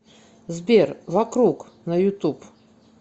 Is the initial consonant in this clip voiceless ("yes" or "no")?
no